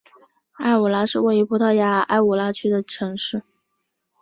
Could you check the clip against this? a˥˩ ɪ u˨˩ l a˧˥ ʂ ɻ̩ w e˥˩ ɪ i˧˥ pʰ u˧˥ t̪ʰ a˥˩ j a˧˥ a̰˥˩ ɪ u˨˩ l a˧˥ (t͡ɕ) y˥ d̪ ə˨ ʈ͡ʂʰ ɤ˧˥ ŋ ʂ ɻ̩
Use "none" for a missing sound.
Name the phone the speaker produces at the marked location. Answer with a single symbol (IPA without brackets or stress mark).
t͡ɕʰ